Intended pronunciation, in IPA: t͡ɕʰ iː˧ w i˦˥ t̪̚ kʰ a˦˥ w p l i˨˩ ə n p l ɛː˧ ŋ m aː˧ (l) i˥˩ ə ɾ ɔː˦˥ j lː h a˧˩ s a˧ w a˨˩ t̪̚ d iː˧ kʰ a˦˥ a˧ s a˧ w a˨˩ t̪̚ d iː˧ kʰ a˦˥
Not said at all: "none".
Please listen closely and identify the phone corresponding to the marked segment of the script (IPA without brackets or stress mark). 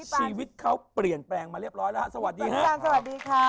ɾ